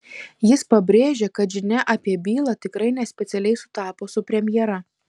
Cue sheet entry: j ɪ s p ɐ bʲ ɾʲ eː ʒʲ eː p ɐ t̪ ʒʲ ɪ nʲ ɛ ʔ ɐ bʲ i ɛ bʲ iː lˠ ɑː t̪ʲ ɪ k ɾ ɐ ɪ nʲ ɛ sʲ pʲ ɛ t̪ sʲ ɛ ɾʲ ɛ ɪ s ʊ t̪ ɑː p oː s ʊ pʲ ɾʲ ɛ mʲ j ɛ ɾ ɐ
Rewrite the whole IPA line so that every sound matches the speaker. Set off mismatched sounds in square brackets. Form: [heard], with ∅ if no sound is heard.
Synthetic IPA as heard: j ɪ s p ɐ bʲ ɾʲ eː ʒʲ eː [k] ɐ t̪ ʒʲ ɪ nʲ ɛ ʔ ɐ [pʲ] i ɛ bʲ iː lˠ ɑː t̪ʲ ɪ k ɾ ɐ ɪ nʲ ɛ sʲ pʲ ɛ t̪ sʲ ɛ [lʲ] ɛ ɪ s ʊ t̪ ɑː p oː s ʊ pʲ ɾʲ ɛ mʲ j ɛ ɾ ɐ